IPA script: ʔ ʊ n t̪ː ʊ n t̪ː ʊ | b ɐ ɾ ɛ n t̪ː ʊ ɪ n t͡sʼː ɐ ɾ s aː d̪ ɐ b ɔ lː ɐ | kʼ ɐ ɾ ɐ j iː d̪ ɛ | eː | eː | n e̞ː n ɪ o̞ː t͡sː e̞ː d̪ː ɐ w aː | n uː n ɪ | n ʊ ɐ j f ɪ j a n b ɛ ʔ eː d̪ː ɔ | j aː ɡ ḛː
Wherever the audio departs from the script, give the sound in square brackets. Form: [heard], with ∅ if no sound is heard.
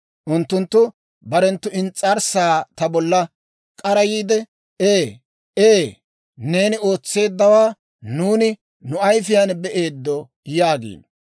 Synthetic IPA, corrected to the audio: ʔ ʊ n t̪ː ʊ n t̪ː ʊ | b ɐ ɾ ɛ n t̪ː ʊ ɪ n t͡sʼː ɐ ɾ s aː [t̪] ɐ b ɔ lː ɐ | kʼ ɐ ɾ ɐ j iː d̪ ɛ | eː | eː | n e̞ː n ɪ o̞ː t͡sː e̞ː d̪ː ɐ w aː | n uː n ɪ | n ʊ ɐ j f ɪ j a n b ɛ ʔ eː d̪ː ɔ | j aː ɡ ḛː